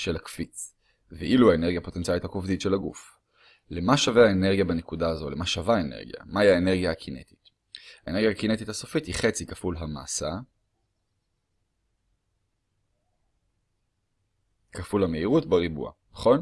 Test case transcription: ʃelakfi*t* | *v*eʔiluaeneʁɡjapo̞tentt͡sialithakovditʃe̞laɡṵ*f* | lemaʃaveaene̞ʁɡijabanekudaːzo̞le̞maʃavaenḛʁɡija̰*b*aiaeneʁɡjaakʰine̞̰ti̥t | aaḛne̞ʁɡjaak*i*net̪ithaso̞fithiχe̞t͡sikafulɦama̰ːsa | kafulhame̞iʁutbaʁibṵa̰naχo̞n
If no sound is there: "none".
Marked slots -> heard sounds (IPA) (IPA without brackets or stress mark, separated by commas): t͡s, v, f, m, i